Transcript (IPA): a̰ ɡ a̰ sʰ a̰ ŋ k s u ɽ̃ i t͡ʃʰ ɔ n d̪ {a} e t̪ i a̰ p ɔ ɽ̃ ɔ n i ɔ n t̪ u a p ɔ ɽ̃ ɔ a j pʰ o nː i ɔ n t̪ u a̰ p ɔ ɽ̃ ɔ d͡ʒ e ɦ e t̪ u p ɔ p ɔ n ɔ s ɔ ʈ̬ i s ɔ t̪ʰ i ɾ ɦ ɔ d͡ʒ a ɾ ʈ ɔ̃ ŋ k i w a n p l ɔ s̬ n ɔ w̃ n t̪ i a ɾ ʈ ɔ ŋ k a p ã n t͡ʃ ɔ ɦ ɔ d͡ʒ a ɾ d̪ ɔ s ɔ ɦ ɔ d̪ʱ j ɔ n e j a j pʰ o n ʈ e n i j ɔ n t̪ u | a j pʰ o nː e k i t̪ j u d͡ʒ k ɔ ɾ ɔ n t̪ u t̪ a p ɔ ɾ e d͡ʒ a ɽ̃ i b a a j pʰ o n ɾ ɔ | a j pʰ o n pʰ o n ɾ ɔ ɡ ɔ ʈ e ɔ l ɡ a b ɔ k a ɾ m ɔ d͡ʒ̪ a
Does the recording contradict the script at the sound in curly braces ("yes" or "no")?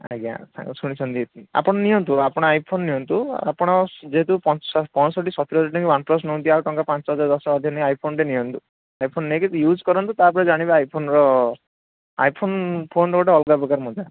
yes